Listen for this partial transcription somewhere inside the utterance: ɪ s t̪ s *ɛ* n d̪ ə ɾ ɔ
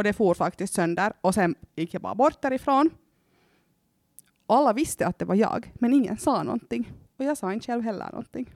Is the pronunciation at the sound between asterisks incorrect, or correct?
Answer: incorrect